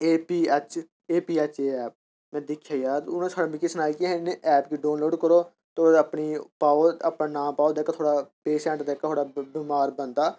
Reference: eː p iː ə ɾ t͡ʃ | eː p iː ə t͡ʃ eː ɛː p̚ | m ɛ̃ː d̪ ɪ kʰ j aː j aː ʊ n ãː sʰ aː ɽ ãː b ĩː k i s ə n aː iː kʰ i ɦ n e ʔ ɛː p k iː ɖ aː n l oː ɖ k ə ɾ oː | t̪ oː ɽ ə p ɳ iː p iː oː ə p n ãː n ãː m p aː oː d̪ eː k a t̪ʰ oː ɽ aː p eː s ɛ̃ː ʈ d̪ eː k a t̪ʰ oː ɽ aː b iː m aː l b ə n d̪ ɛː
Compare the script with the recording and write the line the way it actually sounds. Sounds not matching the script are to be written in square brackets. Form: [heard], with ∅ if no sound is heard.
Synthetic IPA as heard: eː p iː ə [∅] t͡ʃ | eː p iː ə t͡ʃ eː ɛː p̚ | m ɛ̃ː d̪ ɪ kʰ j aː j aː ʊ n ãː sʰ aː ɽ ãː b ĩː k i s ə n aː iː [k] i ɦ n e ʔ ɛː p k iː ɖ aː n l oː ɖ k ə ɾ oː | t̪ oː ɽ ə p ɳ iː p [aː] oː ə p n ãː n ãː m p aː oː d̪ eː k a t̪ʰ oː ɽ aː p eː s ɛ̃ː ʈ d̪ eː k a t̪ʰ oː ɽ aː b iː m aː [ɾ] b ə n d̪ [aː]